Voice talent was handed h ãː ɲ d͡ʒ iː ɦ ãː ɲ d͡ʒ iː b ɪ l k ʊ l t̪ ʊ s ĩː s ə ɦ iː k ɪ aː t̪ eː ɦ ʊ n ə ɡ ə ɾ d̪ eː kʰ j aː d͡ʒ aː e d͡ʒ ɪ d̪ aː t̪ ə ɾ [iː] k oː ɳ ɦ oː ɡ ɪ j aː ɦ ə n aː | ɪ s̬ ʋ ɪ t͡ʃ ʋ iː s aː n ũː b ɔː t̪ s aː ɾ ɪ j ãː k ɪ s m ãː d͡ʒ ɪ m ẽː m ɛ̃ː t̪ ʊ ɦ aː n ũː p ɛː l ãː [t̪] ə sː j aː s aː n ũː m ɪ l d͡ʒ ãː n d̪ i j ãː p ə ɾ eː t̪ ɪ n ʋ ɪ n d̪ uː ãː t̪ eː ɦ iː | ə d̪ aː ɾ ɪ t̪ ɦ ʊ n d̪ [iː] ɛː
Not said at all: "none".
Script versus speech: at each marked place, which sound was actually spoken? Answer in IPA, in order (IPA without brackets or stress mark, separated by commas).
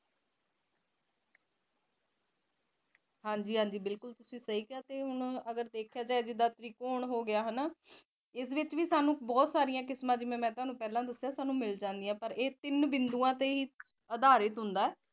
iː, d̪, aː